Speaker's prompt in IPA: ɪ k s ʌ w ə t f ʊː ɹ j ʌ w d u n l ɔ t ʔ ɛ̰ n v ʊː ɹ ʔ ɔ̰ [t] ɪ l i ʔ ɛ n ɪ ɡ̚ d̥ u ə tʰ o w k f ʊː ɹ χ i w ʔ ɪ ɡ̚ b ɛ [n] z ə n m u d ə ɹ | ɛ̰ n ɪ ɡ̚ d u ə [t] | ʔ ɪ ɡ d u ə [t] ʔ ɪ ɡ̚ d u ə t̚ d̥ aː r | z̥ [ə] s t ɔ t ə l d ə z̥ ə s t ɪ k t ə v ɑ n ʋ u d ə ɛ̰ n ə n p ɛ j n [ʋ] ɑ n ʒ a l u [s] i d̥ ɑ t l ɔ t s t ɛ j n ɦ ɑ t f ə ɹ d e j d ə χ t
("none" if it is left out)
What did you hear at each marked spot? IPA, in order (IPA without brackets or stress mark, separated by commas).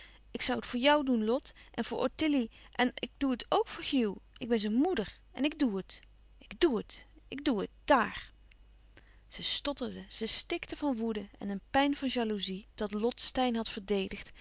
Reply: t, n, t, t, ə, v, z